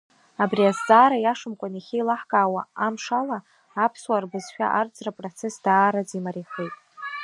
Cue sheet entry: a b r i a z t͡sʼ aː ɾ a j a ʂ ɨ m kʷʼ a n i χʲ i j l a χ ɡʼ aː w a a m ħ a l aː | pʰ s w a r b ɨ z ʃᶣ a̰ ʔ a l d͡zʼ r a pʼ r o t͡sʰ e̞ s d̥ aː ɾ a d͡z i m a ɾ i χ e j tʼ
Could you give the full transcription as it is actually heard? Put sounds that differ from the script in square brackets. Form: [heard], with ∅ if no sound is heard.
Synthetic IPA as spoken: a b r i a z t͡sʼ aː ɾ a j a ʂ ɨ m kʷʼ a n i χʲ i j l a [ħ] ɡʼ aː w a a m [ʂ] a l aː | pʰ s w a r b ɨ z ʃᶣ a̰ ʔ a [r] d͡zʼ r a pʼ r o t͡sʰ e̞ s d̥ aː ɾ a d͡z i m a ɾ i χ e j tʼ